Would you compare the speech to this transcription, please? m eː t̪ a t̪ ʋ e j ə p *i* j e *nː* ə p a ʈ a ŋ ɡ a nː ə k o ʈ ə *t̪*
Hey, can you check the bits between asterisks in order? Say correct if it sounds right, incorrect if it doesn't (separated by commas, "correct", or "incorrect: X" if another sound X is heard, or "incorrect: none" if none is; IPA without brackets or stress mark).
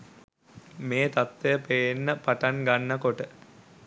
incorrect: e, correct, incorrect: none